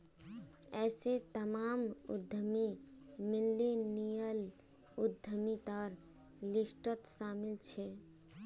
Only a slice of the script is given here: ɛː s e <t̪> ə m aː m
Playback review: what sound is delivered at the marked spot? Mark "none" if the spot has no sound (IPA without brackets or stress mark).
t̪